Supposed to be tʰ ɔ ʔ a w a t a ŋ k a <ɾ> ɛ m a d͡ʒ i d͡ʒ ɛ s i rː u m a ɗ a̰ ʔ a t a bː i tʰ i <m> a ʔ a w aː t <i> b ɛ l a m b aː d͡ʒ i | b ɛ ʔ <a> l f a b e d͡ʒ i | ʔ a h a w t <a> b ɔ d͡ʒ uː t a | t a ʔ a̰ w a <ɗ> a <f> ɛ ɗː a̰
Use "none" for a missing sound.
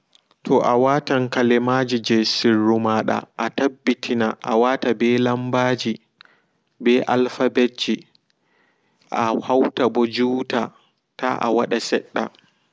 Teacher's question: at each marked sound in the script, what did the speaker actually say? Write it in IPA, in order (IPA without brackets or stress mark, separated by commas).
l, n, a, a, a, ɗ, s